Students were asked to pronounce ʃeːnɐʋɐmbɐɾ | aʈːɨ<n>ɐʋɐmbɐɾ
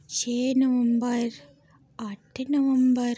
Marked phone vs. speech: correct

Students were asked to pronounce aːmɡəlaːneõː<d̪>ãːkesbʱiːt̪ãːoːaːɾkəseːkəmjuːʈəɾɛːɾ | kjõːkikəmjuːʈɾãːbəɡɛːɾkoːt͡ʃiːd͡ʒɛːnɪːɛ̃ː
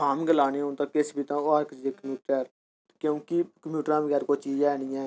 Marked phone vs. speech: incorrect: t̪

